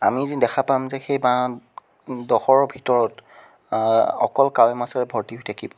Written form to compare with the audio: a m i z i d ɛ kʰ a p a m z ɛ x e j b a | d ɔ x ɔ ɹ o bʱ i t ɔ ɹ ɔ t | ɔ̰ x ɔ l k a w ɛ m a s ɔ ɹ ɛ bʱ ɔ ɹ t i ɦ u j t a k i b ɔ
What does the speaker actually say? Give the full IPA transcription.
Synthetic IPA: a m i z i d ɛ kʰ a p a m z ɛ x e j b a | d ɔ x ɔ ɹ ɔ bʱ i t ɔ ɹ ɔ t | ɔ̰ k ɔ l k a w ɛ m a s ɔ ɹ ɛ bʱ ɔ ɹ t i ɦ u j tʰ a k i b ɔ